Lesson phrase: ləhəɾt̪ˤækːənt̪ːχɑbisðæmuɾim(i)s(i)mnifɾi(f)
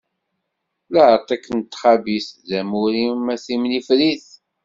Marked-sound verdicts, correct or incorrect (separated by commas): incorrect, correct, incorrect